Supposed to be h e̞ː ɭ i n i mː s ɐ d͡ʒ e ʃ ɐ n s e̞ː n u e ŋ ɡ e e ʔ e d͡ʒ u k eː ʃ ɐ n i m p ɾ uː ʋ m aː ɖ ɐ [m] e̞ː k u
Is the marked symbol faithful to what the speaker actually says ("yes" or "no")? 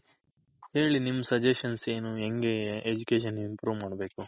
no